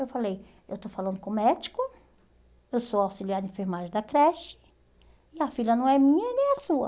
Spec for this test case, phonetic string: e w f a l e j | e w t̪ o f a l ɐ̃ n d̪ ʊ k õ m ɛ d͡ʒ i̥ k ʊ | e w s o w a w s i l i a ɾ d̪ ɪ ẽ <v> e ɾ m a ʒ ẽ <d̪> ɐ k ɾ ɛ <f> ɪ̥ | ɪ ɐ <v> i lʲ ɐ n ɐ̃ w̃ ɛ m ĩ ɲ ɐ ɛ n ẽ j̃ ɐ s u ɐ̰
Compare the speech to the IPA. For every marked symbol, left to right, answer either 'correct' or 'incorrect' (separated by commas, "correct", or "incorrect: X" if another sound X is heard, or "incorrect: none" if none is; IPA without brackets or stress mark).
incorrect: f, correct, incorrect: ʃ, incorrect: f